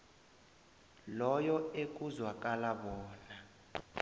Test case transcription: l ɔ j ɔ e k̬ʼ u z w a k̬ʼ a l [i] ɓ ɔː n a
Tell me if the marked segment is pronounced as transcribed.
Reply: no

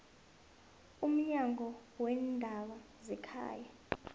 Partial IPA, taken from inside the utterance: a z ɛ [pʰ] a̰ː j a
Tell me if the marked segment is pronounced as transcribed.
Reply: no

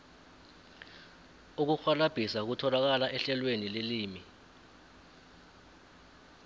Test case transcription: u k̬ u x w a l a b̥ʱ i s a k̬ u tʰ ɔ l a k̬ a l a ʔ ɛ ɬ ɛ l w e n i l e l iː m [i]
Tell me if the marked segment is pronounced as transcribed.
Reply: yes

